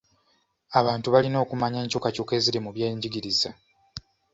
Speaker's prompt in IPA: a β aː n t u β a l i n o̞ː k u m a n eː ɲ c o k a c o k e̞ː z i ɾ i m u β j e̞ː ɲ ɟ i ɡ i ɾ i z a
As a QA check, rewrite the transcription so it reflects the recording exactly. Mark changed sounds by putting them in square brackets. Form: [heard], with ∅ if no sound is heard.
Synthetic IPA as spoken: a β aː n t u β a l i n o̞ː k u m a [ɲ] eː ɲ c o k a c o k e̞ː z i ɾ i m u β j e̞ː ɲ ɟ i ɡ i ɾ i z a